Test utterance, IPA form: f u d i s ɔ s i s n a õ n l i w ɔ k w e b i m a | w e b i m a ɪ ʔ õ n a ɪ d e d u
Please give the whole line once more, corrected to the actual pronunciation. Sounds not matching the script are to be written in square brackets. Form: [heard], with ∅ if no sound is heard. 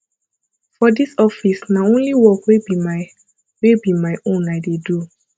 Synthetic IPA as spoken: f [ɔ] d i s ɔ [f] i s n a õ n l i w ɔ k w e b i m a | w e b i m a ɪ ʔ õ n a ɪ d e d u